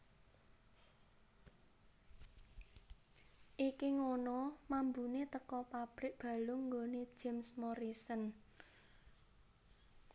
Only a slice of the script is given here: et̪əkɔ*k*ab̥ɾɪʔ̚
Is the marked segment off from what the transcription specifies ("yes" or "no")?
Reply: yes